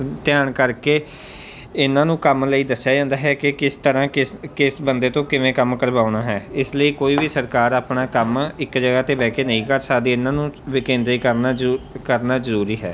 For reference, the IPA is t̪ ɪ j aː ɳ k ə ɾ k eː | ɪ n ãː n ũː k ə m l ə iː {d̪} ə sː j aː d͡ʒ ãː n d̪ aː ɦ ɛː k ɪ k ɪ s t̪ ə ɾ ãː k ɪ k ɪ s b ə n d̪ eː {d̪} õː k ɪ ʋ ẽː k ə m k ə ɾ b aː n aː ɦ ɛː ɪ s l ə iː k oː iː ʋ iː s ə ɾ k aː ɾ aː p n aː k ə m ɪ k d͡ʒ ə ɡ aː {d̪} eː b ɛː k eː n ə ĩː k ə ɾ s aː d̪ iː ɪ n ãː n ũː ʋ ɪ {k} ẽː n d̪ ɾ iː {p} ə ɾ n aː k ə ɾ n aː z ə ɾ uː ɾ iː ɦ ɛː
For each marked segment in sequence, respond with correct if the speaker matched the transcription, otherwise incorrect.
correct, incorrect: t̪, incorrect: t̪, correct, incorrect: k

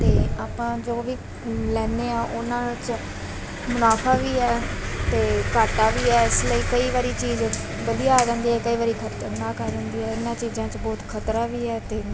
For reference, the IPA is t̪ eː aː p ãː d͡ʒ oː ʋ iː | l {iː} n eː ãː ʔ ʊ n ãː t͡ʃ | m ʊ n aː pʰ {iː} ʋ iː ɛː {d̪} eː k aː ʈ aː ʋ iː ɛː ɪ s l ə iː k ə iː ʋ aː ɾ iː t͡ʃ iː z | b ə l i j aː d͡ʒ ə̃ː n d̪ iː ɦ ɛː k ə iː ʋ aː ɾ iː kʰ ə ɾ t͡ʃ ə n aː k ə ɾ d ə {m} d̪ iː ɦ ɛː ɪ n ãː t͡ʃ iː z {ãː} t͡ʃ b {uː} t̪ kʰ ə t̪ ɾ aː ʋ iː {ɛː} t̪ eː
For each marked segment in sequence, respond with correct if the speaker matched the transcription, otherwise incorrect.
incorrect: ɛː, incorrect: aː, incorrect: t̪, incorrect: n, correct, incorrect: ɔː, correct

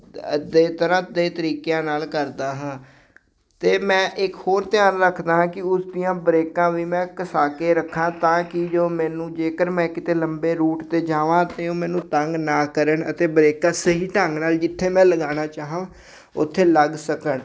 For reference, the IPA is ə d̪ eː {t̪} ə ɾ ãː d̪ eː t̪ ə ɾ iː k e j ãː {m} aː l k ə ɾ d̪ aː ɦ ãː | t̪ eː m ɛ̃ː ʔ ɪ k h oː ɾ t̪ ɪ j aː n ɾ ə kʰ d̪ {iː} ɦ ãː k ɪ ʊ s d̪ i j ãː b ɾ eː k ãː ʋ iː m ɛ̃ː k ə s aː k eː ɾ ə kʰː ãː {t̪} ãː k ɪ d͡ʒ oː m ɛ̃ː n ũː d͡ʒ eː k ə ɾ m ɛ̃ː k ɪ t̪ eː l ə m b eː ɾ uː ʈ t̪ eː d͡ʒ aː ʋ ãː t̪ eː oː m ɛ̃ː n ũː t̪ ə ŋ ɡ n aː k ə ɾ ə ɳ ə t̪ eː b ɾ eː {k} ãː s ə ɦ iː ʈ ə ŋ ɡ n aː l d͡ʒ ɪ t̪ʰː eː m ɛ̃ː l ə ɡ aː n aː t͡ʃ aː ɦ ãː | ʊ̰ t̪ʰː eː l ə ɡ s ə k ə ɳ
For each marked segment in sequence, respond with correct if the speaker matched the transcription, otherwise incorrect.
correct, incorrect: n, incorrect: aː, correct, correct

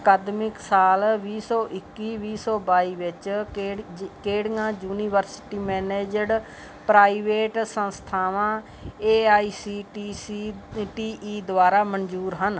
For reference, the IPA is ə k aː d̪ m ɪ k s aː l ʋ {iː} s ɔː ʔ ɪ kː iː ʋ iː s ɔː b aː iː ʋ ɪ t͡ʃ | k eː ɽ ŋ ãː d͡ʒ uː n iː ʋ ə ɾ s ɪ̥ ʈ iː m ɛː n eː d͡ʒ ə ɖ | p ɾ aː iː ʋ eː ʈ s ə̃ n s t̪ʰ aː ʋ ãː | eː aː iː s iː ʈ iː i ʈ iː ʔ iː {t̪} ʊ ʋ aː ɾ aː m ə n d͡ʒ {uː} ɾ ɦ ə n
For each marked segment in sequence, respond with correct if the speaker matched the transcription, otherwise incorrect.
correct, incorrect: d̪, correct

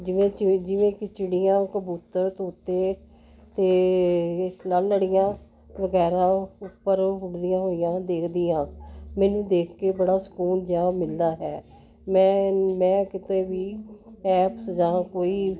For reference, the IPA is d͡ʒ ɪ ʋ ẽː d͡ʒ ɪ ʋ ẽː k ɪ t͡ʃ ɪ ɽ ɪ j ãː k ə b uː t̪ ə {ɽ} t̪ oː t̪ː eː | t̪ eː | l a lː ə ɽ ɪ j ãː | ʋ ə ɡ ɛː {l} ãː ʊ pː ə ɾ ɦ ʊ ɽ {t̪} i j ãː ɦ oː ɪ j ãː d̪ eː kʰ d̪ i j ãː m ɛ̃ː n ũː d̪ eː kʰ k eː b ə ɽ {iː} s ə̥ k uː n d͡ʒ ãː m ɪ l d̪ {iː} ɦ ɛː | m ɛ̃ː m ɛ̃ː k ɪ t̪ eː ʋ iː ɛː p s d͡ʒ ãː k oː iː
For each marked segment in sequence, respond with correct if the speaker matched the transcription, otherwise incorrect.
incorrect: ɾ, incorrect: ɾ, incorrect: d̪, incorrect: aː, incorrect: aː

